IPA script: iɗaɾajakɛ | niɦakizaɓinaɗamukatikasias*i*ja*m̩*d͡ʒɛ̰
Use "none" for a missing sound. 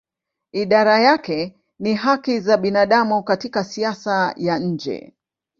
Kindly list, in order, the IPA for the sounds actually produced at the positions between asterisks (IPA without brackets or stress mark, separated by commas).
a, ɲ̩